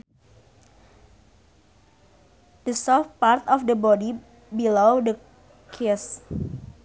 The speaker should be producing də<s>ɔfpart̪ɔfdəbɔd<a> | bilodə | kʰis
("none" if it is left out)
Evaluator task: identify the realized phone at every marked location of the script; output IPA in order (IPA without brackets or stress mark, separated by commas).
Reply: s, i